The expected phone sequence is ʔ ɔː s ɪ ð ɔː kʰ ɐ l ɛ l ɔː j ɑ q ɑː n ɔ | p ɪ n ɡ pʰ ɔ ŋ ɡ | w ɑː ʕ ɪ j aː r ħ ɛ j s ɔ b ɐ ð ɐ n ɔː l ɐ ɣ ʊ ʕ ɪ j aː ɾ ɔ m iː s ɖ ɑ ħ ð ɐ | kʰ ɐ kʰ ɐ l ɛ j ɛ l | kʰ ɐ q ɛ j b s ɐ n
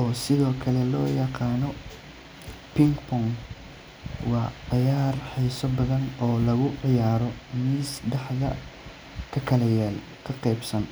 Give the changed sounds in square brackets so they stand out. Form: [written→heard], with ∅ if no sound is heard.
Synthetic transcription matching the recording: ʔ ɔː s ɪ ð ɔː kʰ ɐ l ɛ l ɔː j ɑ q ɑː n ɔ | p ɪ [n→ŋ] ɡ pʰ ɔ ŋ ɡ | w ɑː ʕ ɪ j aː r ħ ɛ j s ɔ b ɐ ð ɐ n ɔː l ɐ ɣ ʊ ʕ ɪ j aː ɾ ɔ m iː s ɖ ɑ ħ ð ɐ | kʰ ɐ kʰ ɐ l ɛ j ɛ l | kʰ ɐ q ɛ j b s ɐ n